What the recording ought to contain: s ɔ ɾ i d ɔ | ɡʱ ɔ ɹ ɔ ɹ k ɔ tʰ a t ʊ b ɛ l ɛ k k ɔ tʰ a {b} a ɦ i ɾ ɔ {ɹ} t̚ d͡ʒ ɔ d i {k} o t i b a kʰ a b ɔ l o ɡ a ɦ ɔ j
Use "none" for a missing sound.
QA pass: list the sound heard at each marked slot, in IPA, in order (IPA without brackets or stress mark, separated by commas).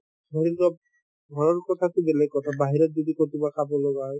b, none, k